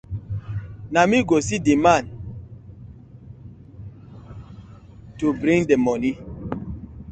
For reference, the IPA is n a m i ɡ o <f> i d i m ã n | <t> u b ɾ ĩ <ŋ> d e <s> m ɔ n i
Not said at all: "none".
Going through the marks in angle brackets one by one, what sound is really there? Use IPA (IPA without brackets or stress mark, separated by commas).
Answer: s, t, ŋ, none